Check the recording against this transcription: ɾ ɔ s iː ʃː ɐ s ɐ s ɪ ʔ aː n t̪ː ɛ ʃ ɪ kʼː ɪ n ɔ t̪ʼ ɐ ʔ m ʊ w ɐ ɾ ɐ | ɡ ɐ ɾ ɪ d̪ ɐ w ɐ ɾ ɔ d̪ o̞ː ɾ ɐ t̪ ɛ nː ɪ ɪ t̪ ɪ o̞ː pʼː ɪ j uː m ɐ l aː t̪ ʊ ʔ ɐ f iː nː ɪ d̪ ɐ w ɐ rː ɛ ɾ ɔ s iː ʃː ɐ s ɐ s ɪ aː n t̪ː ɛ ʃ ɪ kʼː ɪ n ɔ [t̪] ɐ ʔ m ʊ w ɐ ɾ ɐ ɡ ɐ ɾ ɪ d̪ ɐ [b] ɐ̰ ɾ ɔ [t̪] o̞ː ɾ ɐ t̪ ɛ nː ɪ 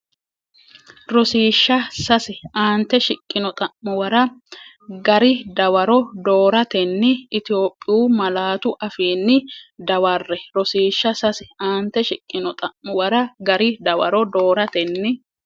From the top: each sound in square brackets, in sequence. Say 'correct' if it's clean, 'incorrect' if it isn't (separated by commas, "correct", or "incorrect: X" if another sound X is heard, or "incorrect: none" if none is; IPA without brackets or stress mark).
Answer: incorrect: t̪ʼ, incorrect: w, incorrect: d̪